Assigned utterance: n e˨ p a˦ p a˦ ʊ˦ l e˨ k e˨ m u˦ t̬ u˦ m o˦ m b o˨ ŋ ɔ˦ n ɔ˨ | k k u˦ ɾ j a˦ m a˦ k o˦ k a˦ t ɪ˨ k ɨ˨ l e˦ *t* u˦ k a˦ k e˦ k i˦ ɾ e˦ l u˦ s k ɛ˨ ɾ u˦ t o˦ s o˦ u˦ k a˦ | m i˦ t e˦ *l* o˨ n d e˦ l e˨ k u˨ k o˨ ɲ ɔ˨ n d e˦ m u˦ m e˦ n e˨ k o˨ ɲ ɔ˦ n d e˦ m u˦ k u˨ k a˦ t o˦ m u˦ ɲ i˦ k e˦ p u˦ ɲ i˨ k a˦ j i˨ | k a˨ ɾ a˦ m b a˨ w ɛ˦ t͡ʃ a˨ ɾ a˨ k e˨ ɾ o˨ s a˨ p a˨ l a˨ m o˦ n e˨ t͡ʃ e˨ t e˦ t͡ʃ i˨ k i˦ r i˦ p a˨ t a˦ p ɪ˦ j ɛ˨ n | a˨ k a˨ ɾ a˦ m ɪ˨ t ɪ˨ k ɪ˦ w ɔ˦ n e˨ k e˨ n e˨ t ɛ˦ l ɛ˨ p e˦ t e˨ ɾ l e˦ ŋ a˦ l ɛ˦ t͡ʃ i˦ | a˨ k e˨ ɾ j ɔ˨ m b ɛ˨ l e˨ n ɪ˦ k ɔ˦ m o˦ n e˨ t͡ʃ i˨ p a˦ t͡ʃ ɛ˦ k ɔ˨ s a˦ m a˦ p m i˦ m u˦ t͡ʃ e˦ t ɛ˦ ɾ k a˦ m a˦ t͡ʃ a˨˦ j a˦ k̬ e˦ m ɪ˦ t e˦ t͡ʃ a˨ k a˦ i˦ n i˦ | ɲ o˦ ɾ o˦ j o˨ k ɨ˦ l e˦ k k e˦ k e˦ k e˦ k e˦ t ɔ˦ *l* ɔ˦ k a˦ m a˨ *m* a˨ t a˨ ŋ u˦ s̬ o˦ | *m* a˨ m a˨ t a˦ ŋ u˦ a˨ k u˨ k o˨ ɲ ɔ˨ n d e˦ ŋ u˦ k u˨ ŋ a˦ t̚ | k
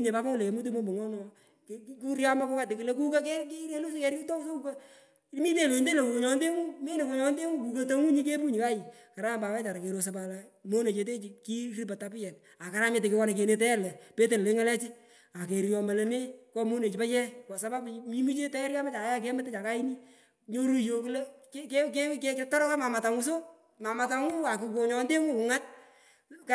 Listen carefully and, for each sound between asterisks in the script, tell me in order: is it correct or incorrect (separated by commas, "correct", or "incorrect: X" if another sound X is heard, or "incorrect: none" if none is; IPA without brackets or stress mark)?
incorrect: k, correct, incorrect: ɾ, correct, correct